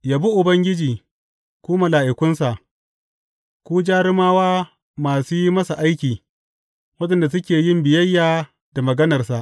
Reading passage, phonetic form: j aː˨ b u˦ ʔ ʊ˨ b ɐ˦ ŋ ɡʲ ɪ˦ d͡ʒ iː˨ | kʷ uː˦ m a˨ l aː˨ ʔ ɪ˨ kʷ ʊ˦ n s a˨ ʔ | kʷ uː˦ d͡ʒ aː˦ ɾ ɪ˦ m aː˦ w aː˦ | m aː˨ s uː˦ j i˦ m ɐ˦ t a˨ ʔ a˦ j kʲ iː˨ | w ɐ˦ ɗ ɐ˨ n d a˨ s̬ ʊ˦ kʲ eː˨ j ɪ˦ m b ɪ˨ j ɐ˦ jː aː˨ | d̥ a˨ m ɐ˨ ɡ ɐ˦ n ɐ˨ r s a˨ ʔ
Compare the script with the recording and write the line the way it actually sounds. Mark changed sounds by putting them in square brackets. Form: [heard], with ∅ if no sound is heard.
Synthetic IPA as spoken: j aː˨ b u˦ ʔ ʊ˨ b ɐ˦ ŋ ɡʲ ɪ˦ d͡ʒ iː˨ | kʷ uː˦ m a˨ l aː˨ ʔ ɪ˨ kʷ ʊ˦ n s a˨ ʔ | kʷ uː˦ d͡ʒ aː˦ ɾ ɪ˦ m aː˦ w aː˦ | m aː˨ s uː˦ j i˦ m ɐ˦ [s] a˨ ʔ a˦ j kʲ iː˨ | w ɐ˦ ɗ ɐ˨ n d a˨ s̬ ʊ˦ kʲ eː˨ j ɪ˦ m b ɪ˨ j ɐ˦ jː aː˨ | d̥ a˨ m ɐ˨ ɡ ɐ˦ n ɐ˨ r s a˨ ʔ